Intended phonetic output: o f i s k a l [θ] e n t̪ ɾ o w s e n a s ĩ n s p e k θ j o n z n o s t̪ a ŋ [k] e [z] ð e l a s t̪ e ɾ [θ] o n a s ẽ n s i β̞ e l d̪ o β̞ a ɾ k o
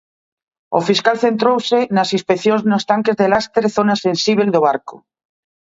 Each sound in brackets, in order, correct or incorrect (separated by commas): correct, correct, correct, correct